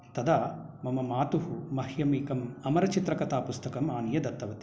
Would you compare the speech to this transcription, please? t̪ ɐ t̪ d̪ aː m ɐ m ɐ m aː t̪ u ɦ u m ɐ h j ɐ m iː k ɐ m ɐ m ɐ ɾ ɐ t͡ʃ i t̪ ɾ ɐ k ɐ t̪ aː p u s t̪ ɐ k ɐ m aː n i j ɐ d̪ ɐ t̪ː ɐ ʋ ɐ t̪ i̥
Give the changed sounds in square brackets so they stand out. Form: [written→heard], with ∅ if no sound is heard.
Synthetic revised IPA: t̪ ɐ [t̪→∅] d̪ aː m ɐ m ɐ m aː t̪ u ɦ u m ɐ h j ɐ m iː k ɐ m ɐ m ɐ ɾ ɐ t͡ʃ i t̪ ɾ ɐ k ɐ t̪ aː p u s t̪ ɐ k ɐ m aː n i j ɐ d̪ ɐ t̪ː ɐ ʋ ɐ t̪ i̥